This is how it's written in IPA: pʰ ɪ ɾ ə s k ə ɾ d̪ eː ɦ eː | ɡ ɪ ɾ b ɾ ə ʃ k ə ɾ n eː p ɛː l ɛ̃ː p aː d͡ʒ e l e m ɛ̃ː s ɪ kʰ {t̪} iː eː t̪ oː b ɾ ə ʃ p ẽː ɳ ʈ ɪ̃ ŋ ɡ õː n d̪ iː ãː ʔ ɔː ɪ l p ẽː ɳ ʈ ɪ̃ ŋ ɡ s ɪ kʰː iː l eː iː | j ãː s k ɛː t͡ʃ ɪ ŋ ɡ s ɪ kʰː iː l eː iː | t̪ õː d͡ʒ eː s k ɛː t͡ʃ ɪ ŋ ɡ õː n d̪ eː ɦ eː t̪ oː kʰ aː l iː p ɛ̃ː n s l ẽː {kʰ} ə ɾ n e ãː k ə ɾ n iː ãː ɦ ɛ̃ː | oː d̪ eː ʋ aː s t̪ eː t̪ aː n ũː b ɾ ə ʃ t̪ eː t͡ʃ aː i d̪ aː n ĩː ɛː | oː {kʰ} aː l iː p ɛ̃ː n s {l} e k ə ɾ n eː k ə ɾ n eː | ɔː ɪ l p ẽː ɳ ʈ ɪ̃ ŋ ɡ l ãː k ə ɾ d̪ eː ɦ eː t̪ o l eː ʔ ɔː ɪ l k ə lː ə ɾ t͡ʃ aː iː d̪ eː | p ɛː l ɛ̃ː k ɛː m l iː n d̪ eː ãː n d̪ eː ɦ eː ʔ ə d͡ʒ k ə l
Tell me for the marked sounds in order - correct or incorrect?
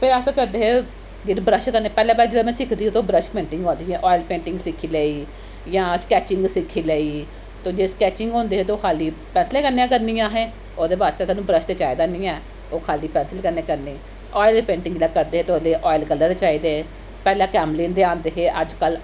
incorrect, incorrect, correct, correct

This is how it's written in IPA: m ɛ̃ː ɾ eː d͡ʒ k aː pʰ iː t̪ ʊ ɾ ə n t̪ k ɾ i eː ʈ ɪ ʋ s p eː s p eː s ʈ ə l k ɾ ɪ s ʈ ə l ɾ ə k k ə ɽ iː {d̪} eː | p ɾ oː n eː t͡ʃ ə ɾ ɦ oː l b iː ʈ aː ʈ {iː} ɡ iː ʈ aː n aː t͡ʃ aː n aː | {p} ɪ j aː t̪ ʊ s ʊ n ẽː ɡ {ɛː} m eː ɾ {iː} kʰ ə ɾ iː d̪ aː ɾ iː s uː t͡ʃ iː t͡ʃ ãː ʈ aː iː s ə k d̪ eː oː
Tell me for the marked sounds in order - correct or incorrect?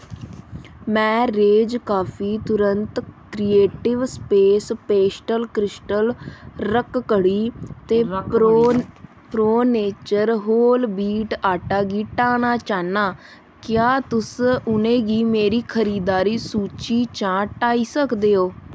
incorrect, incorrect, incorrect, incorrect, correct

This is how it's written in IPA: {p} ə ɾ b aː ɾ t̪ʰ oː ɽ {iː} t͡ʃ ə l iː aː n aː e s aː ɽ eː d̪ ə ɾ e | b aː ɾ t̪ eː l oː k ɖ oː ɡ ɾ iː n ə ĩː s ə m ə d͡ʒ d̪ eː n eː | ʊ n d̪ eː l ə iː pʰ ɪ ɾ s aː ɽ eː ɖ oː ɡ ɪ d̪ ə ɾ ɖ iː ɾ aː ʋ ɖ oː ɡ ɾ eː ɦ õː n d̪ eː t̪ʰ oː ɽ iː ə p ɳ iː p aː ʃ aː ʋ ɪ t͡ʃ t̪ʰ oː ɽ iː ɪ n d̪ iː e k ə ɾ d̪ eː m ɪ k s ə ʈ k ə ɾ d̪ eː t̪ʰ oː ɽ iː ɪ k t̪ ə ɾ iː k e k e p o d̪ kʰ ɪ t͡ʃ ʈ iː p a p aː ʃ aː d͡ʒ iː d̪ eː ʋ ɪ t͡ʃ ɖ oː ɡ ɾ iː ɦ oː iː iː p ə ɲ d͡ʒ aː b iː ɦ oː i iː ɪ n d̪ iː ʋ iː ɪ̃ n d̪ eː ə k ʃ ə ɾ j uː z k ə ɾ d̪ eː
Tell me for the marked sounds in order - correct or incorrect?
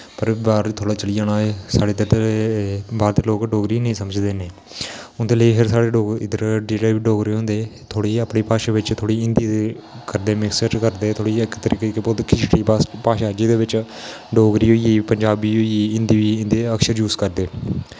correct, incorrect

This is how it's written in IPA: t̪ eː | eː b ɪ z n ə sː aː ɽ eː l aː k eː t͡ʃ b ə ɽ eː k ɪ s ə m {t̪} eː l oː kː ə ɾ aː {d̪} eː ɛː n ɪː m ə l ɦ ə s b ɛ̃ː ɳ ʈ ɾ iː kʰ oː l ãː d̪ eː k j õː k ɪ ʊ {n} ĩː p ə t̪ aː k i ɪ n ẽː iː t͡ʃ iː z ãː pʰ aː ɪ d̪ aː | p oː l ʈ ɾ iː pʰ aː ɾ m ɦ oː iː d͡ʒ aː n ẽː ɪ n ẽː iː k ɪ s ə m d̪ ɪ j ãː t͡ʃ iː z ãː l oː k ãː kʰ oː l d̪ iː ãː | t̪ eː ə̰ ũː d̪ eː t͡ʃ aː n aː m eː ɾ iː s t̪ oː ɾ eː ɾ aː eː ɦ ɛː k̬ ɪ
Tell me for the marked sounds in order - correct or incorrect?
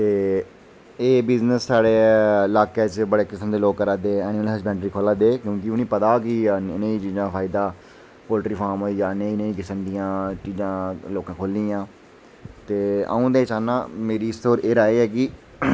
incorrect, correct, correct

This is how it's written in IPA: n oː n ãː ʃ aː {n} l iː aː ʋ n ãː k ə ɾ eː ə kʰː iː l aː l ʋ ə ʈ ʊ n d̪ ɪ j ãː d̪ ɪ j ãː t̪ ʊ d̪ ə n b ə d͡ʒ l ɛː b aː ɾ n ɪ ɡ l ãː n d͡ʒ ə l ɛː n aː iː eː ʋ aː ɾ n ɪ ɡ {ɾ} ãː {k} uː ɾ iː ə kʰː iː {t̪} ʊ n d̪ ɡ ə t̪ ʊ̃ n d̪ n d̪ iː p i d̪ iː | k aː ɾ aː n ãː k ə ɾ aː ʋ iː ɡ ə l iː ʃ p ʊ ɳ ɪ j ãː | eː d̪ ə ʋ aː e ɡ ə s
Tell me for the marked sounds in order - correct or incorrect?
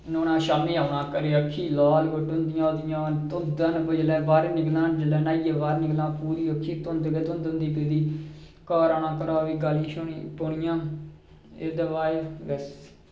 incorrect, incorrect, incorrect, correct

